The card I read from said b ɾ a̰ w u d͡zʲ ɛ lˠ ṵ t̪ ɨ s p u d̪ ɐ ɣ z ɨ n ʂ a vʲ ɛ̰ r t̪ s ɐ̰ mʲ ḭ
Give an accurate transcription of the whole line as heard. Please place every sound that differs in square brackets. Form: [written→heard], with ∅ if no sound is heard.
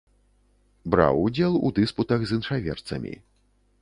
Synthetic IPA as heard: b ɾ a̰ w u d͡zʲ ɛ lˠ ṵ [t̪→d̪] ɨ s p u [d̪→t̪] ɐ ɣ z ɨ n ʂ a vʲ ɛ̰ r t̪ s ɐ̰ mʲ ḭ